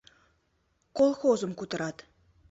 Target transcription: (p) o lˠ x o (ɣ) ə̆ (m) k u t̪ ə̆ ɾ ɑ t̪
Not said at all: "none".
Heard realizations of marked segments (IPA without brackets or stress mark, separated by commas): k, z, m